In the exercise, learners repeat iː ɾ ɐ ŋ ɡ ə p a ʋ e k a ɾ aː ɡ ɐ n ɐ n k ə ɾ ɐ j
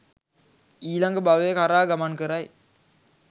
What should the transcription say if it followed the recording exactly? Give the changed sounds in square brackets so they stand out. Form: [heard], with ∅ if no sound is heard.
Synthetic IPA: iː [l] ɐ ŋ ɡ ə [b] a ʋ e k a ɾ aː ɡ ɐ [m] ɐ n k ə ɾ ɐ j